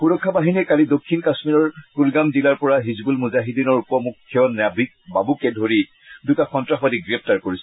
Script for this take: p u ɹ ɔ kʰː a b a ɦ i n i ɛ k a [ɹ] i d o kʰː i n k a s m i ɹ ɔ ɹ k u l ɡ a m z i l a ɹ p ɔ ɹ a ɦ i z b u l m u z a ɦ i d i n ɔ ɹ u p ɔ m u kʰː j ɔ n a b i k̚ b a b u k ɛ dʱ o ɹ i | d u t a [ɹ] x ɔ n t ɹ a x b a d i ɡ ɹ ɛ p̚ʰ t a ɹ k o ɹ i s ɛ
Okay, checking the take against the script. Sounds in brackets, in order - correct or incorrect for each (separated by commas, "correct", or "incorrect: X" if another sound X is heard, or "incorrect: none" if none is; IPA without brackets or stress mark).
incorrect: l, incorrect: none